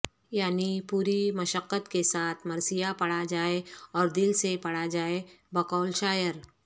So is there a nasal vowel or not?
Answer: no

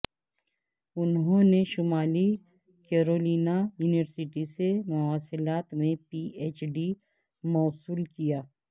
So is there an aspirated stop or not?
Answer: no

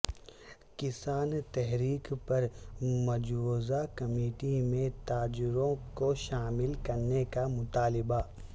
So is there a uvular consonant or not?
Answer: no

